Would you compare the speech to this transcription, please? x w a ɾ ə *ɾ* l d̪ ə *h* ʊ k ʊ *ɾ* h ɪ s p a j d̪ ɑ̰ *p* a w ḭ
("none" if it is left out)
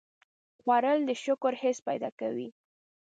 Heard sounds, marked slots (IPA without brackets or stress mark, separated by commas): none, ʃ, ɾ, k